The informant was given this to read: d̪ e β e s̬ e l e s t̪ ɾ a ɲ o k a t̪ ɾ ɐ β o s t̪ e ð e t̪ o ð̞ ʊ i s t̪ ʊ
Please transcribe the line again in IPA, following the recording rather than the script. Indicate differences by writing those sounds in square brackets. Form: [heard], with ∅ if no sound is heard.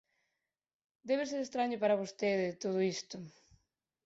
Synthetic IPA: d̪ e β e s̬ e [ɾ] e s t̪ ɾ a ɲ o [p] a [∅] ɾ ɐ β o s t̪ e ð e t̪ o ð̞ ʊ i s t̪ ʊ